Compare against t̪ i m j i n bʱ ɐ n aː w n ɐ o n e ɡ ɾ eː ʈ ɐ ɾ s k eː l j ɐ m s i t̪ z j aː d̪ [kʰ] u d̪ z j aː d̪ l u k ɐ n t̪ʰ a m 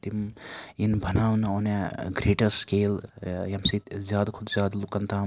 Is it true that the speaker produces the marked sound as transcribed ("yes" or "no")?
yes